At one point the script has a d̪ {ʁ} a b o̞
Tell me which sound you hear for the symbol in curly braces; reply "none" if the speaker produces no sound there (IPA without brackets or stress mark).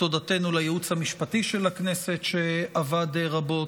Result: ʁ